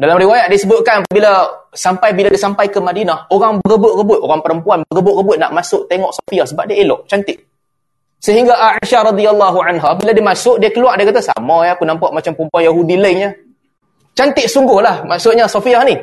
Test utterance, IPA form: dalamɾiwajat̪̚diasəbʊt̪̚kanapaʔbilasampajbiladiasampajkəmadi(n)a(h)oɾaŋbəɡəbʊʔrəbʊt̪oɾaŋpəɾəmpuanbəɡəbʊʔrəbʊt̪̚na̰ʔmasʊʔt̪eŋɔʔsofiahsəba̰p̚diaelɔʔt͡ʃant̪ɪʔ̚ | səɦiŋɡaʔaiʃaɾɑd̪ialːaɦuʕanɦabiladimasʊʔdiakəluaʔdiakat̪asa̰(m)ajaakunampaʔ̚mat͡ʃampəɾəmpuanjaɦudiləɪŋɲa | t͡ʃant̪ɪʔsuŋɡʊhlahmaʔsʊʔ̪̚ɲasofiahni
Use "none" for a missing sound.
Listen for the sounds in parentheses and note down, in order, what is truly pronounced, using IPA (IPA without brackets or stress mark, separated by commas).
n, h, m